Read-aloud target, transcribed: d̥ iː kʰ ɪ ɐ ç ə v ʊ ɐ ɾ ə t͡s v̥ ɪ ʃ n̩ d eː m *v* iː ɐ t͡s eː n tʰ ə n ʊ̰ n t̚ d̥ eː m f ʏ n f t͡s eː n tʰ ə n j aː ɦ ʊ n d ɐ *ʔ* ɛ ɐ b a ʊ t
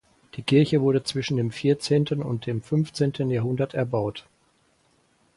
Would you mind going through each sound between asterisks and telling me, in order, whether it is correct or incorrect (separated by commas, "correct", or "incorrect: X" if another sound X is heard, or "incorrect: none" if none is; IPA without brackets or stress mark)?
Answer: incorrect: f, incorrect: t